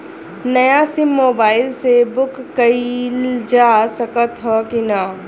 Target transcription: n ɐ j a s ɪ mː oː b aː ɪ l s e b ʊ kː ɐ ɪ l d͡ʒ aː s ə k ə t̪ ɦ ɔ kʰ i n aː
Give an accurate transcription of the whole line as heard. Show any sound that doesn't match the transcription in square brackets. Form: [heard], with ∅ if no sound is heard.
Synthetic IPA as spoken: n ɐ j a s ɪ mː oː b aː ɪ l s e b ʊ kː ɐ [i] l d͡ʒ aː s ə k ə t̪ ɦ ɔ [k] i n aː